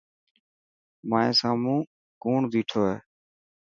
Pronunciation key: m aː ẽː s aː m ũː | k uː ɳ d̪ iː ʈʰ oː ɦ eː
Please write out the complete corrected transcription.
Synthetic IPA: m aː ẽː s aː m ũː | k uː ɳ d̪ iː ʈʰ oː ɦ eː